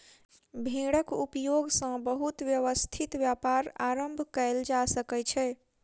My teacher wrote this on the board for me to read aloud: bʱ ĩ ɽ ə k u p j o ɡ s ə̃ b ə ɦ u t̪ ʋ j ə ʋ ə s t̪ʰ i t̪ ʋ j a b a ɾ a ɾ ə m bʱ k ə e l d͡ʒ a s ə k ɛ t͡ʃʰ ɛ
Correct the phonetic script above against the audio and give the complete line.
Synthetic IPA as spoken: bʱ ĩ ɽ ə k u p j o ɡ s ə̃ b ə ɦ u t̪ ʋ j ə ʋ ə s t̪ʰ i t̪ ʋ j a p a ɾ a ɾ ə m bʱ k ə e l d͡ʒ a s ə k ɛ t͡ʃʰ ɛ